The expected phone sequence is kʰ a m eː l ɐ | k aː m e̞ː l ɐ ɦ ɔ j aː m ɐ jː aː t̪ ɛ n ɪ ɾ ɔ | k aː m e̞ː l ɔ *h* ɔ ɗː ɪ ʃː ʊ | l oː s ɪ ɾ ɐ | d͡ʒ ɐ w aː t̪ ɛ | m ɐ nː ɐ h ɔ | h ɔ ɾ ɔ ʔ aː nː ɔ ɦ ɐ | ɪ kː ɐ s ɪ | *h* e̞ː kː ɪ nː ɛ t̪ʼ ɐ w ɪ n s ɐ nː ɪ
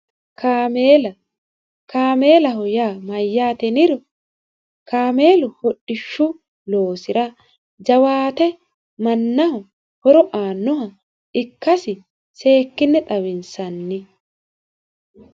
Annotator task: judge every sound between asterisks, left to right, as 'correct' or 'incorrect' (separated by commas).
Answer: correct, incorrect